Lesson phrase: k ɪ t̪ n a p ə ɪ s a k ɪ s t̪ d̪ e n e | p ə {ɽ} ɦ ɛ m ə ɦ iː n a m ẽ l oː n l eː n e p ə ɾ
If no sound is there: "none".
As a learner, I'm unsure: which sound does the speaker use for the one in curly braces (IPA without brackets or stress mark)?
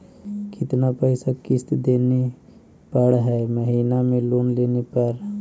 ɽ